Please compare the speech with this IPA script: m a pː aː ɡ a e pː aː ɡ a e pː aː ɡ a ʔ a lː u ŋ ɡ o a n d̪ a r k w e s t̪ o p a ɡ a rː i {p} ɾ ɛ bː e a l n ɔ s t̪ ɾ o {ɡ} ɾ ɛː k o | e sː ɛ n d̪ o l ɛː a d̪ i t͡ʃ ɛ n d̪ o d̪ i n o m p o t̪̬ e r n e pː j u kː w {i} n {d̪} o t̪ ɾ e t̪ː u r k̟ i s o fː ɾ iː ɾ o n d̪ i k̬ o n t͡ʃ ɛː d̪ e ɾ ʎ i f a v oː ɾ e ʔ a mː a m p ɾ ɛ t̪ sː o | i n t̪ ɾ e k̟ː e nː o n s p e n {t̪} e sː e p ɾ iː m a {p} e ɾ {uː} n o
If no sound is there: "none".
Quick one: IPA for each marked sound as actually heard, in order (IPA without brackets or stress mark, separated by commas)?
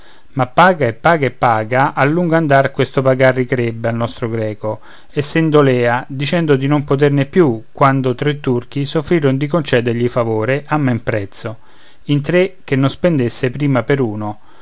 k, ɡ, a, d̪, d̪, p, uː